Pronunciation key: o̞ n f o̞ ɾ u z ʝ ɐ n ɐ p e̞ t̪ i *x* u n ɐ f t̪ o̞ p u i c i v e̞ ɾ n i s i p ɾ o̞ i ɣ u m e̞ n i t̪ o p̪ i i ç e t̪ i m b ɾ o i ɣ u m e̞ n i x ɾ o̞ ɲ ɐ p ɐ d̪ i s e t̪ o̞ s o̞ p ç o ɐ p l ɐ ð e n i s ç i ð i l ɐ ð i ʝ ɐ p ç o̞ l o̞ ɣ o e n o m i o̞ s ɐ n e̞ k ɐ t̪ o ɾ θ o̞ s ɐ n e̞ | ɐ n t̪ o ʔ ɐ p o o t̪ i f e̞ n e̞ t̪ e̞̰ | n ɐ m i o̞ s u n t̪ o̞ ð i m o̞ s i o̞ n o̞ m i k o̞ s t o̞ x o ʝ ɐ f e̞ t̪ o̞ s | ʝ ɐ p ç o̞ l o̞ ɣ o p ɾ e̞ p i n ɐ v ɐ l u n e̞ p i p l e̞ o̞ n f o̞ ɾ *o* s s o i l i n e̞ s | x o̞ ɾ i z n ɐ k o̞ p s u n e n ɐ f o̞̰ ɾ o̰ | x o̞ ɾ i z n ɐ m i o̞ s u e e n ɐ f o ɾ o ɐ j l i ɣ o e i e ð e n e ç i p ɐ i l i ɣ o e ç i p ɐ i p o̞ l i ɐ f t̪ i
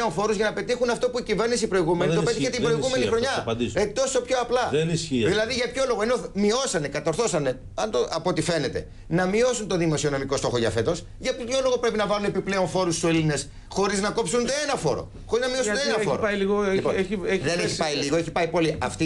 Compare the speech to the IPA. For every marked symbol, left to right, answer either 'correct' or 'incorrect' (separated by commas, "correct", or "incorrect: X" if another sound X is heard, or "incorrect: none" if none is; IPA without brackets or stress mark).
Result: correct, incorrect: u